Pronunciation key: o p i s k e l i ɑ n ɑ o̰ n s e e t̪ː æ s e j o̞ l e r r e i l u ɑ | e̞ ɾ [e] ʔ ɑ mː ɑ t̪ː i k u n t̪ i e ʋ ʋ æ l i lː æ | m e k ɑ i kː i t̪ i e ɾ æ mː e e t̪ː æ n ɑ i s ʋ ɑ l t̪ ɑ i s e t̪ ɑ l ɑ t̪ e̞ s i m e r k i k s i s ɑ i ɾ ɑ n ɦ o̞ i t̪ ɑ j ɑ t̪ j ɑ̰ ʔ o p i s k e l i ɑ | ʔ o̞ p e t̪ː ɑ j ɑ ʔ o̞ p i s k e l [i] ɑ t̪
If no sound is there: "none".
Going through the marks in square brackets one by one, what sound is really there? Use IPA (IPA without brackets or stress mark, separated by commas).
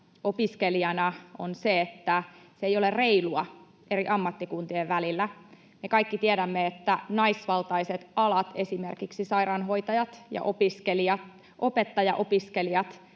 i, i